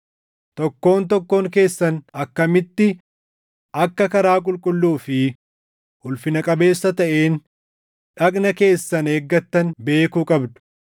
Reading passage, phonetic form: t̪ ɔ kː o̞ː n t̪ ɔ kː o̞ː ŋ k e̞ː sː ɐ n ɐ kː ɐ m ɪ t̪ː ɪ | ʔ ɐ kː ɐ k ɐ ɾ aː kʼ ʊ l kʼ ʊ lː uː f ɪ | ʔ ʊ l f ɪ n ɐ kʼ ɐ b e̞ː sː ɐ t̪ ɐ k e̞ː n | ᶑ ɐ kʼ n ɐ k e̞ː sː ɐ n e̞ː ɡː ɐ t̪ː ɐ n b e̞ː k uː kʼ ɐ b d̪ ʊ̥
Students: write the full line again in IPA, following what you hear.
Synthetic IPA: t̪ ɔ kː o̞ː n t̪ ɔ kː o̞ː ŋ k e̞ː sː ɐ n ɐ kː ɐ m ɪ t̪ː ɪ | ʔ ɐ kː ɐ k ɐ ɾ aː kʼ ʊ l kʼ ʊ lː uː f ɪ | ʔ ʊ l f ɪ n ɐ kʼ ɐ b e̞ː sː ɐ t̪ ɐ ʔ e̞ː n | ᶑ ɐ kʼ n ɐ k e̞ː sː ɐ n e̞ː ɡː ɐ t̪ː ɐ n b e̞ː k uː kʼ ɐ b d̪ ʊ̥

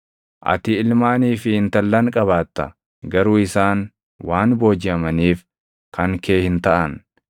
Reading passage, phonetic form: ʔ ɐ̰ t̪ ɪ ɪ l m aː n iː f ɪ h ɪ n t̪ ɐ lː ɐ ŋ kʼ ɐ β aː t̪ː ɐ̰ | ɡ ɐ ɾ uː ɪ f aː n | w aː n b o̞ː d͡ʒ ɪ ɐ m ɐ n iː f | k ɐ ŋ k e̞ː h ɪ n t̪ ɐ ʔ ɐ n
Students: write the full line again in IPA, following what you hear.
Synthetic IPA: ʔ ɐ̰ t̪ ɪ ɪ l m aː n iː f ɪ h ɪ n t̪ ɐ lː ɐ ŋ kʼ ɐ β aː t̪ː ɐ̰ | ɡ ɐ ɾ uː ɪ s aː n | w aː n b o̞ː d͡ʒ ɪ ɐ m ɐ n iː f | k ɐ ŋ k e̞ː h ɪ n t̪ ɐ ʔ ɐ n

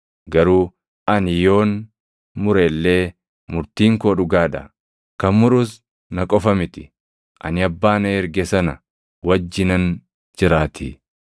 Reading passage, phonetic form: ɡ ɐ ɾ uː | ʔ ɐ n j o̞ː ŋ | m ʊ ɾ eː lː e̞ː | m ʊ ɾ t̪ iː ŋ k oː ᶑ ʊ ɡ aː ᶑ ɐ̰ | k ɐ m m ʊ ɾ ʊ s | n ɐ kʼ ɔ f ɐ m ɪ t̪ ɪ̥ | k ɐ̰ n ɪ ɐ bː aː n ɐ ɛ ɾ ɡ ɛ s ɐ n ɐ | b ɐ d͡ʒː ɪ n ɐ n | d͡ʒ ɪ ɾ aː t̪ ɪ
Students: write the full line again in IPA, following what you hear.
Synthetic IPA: ɡ ɐ ɾ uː | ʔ ɐ n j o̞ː n | m ʊ ɾ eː lː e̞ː | m ʊ ɾ t̪ iː ŋ k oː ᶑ ʊ ɡ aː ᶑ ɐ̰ | k ɐ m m ʊ ɾ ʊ s | n ɐ kʼ ɔ f ɐ m ɪ t̪ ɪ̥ | ʔ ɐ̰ n ɪ ɐ bː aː n ɐ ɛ ɾ ɡ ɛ s ɐ n ɐ | w ɐ d͡ʒː ɪ n ɐ n | d͡ʒ ɪ ɾ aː t̪ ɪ

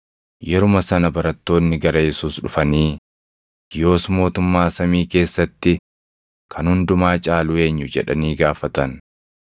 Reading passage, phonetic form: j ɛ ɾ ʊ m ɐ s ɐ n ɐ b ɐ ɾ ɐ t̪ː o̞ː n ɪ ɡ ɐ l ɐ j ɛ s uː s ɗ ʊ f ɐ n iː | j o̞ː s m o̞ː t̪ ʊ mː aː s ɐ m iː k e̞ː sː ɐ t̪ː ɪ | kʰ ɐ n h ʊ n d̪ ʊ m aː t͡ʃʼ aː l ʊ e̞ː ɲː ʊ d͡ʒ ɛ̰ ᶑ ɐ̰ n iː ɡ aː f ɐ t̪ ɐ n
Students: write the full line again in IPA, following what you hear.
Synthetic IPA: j ɛ ɾ ʊ m ɐ s ɐ n ɐ b ɐ ɾ ɐ t̪ː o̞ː nː ɪ ɡ ɐ ɾ ɐ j ɛ s uː s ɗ ʊ f ɐ n iː | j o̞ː s m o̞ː t̪ ʊ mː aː s ɐ m iː k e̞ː sː ɐ t̪ː ɪ | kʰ ɐ n h ʊ n d̪ ʊ m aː t͡ʃʼ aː l ʊ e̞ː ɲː ʊ d͡ʒ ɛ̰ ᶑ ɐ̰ n iː ɡ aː f ɐ t̪ ɐ n

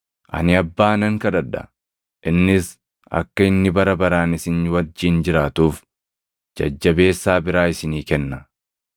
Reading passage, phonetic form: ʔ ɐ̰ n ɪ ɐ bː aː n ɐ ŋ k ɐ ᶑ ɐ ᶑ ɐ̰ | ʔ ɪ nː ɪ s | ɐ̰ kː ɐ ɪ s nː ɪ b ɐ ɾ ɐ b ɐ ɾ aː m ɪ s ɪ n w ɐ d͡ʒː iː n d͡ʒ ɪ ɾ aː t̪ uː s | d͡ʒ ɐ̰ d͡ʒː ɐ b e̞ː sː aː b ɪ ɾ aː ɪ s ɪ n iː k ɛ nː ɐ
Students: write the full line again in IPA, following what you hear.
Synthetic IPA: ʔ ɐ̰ n ɪ ɐ bː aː n ɐ ŋ k ɐ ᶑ ɐ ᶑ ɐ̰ | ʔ ɪ nː ɪ s | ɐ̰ kː ɐ ɪ nː ɪ b ɐ ɾ ɐ b ɐ ɾ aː n ɪ s ɪ n w ɐ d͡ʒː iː n d͡ʒ ɪ ɾ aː t̪ uː f | d͡ʒ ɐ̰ d͡ʒː ɐ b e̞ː sː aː b ɪ ɾ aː ɪ s ɪ n iː k ɛ nː ɐ

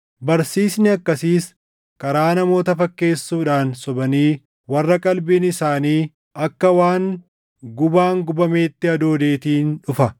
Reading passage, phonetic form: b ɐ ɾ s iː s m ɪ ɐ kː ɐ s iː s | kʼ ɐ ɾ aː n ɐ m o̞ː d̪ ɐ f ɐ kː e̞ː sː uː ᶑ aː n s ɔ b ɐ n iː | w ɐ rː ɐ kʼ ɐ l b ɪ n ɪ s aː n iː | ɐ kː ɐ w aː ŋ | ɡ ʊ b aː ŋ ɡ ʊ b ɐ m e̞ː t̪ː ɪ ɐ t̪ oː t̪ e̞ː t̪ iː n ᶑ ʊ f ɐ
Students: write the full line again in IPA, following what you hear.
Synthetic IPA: b ɐ ɾ s iː s n ɪ ɐ kː ɐ s iː s | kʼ ɐ ɾ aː n ɐ m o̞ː t̪ ɐ f ɐ kː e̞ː sː uː ᶑ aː n s ɔ b ɐ n iː | w ɐ rː ɐ kʼ ɐ l b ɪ n ɪ s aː n iː | ɐ kː ɐ w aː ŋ | ɡ ʊ b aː ŋ ɡ ʊ b ɐ m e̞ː t̪ː ɪ ɐ d̪ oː d̪ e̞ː t̪ iː n ᶑ ʊ f ɐ

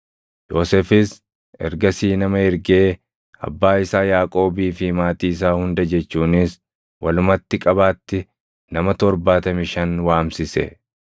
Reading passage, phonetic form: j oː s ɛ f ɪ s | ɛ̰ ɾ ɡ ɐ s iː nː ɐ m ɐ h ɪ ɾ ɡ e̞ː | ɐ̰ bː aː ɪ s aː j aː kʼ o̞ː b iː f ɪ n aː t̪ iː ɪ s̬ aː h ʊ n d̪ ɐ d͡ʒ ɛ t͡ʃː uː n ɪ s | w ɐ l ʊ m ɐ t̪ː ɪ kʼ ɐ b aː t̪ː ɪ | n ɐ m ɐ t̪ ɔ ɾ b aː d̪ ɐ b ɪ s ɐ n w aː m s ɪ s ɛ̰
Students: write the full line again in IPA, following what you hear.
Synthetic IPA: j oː s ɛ f ɪ s | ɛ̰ ɾ ɡ ɐ s iː n ɐ m ɐ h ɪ ɾ ɡ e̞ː | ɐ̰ bː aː ɪ s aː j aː kʼ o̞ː b iː f ɪ m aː t̪ iː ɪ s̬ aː h ʊ n d̪ ɐ d͡ʒ ɛ t͡ʃː uː n ɪ s | w ɐ l ʊ m ɐ t̪ː ɪ kʼ ɐ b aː t̪ː ɪ | n ɐ m ɐ t̪ ɔ ɾ b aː t̪ ɐ m ɪ ʃ ɐ n w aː m s ɪ s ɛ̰

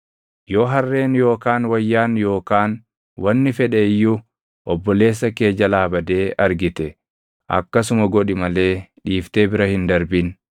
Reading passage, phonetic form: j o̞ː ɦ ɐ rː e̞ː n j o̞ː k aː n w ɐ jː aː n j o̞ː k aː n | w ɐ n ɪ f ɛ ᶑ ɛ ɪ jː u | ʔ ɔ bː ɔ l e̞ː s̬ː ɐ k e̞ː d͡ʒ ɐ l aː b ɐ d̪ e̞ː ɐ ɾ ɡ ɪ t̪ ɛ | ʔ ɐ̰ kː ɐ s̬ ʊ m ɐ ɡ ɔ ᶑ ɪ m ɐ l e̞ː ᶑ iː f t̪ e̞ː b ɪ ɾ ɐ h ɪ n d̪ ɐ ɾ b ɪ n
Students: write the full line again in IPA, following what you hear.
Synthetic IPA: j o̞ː ɦ ɐ rː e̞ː n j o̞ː k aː n w ɐ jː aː n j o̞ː k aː n | w ɐ nː ɪ f ɛ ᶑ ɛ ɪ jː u | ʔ ɔ bː ɔ l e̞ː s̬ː ɐ k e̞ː d͡ʒ ɐ l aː b ɐ d̪ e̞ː ɐ ɾ ɡ ɪ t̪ ɛ | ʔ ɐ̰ kː ɐ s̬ ʊ m ɐ ɡ ɔ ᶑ ɪ m ɐ l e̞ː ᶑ iː f t̪ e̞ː b ɪ ɾ ɐ h ɪ n d̪ ɐ ɾ b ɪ n

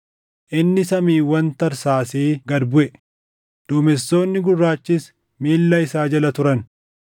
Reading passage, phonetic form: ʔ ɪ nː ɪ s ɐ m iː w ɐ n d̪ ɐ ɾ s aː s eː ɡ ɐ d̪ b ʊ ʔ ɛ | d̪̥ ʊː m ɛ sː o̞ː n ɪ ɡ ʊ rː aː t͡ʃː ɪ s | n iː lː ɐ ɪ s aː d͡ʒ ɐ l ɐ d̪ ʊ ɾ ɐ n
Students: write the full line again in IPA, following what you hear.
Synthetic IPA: ʔ ɪ nː ɪ s ɐ m iː w ɐ n t̪ ɐ ɾ s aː s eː ɡ ɐ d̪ b ʊ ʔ ɛ | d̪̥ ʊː m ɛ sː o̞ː nː ɪ ɡ ʊ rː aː t͡ʃː ɪ s | m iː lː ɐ ɪ s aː d͡ʒ ɐ l ɐ t̪ ʊ ɾ ɐ n

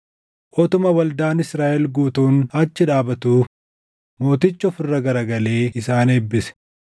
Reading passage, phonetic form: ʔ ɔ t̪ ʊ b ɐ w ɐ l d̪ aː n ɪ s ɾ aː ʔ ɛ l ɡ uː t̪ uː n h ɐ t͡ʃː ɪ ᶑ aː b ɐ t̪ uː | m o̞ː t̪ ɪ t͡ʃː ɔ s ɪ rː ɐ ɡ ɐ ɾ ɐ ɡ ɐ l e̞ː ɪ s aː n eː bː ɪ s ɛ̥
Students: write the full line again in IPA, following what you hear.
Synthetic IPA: ʔ ɔ t̪ ʊ m ɐ w ɐ l d̪ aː n ɪ s ɾ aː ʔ ɛ l ɡ uː t̪ uː n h ɐ t͡ʃː ɪ ᶑ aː b ɐ t̪ uː | m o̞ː t̪ ɪ t͡ʃː ɔ f ɪ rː ɐ ɡ ɐ ɾ ɐ ɡ ɐ l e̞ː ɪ s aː n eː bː ɪ s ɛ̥

